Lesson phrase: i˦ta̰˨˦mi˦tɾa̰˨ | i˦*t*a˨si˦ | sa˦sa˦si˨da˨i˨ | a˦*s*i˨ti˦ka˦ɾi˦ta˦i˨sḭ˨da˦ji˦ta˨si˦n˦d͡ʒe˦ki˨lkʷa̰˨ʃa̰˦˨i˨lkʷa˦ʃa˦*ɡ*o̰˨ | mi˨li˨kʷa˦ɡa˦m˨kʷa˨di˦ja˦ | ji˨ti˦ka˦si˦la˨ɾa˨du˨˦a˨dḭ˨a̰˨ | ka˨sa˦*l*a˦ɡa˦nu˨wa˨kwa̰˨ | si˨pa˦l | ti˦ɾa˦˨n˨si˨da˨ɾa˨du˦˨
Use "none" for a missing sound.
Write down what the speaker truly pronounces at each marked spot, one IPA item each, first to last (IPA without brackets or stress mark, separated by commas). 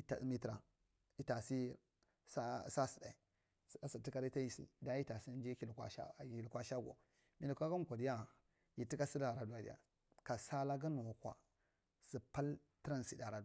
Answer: t, s, ɡ, l